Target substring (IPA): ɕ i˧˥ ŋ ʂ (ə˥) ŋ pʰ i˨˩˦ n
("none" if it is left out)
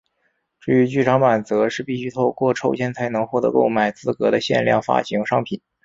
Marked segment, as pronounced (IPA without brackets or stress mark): ɑ˥